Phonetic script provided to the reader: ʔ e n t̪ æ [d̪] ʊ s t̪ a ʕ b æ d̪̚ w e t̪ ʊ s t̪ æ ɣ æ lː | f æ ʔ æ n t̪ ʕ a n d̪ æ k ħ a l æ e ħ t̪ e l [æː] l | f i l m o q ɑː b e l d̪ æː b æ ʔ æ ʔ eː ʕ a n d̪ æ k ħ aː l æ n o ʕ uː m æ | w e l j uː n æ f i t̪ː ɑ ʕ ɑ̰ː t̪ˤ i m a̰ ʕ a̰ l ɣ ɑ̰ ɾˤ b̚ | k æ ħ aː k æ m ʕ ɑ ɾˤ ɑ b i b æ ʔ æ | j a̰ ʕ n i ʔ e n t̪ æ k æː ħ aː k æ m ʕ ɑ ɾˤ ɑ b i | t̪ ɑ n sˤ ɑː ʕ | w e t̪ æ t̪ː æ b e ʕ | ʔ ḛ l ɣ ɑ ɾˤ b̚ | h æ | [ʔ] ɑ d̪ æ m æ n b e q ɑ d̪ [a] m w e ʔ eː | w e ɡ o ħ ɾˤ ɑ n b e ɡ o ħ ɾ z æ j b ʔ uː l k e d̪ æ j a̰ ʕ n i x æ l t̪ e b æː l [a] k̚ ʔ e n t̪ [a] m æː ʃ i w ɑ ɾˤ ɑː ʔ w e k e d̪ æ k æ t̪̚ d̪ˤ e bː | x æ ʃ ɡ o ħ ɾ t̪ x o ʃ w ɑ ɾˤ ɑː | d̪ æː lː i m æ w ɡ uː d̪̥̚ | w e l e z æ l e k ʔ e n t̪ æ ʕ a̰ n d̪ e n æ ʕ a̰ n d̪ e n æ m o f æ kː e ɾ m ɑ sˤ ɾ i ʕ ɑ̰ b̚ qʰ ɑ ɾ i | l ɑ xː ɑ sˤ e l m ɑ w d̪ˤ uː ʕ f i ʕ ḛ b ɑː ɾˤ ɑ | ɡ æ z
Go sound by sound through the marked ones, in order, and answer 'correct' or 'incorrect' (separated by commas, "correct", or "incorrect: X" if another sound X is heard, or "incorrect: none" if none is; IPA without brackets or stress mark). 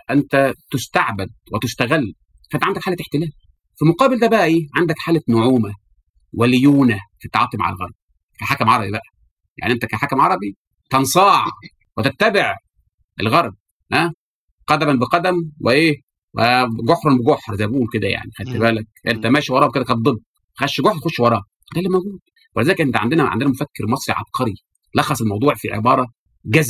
incorrect: t̪, correct, incorrect: q, incorrect: æ, incorrect: æ, incorrect: æ